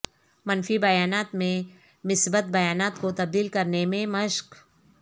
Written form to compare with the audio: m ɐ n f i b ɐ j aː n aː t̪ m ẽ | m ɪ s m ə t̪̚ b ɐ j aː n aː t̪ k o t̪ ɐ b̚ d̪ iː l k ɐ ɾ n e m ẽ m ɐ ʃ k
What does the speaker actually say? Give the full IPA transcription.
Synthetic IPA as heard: m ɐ n f i b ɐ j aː n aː t̪ m ẽ | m ɪ s b ə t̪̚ b ɐ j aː n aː t̪ k o t̪ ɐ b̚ d̪ iː l k ɐ ɾ n e m ẽ m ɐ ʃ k